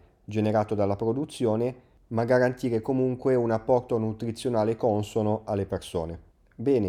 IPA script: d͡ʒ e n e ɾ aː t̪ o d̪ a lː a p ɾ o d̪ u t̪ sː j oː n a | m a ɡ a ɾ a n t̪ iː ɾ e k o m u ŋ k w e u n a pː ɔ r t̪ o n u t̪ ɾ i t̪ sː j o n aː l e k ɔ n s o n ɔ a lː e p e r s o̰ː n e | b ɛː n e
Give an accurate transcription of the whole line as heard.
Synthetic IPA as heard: d͡ʒ e n e ɾ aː t̪ o d̪ a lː a p ɾ o d̪ u t̪ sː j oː n e | m a ɡ a ɾ a n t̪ iː ɾ e k o m u ŋ k w e u n a pː ɔ r t̪ o n u t̪ ɾ i t̪ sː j o n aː l e k ɔ n s o n o a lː e p e r s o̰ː n e | b ɛː n e